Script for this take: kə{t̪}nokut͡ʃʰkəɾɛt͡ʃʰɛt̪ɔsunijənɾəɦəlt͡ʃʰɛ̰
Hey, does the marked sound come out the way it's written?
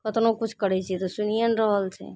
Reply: yes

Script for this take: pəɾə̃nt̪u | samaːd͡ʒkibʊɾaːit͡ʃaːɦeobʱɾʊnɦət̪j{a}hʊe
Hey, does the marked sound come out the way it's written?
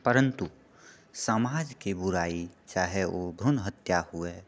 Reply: yes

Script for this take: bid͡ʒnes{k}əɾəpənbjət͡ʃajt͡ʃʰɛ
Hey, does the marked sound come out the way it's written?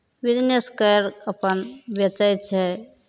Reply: yes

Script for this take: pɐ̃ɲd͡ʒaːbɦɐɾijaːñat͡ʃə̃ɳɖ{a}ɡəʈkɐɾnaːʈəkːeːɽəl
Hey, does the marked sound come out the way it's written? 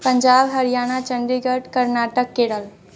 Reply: no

